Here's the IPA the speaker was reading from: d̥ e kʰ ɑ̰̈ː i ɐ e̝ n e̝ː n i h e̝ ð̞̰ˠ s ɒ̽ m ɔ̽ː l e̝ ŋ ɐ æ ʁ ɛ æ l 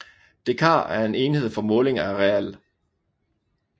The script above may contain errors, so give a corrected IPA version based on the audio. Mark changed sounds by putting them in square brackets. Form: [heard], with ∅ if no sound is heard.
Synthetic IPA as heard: d̥ e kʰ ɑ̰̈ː [æ] ɐ e̝ n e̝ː n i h e̝ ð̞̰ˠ [f] ɒ̽ m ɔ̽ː l e̝ ŋ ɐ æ ʁ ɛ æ l